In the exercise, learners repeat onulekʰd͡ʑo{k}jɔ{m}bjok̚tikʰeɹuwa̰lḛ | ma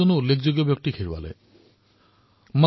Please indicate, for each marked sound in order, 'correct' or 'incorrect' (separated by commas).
incorrect, incorrect